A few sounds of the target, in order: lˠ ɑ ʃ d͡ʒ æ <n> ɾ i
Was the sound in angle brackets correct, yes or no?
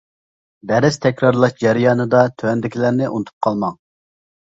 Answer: no